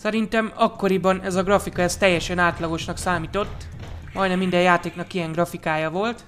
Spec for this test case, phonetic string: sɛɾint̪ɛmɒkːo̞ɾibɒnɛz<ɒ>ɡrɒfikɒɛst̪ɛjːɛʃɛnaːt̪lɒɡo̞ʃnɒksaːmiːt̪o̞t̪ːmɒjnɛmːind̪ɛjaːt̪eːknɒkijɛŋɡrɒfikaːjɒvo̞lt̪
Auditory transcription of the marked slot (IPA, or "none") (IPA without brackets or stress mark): ɒ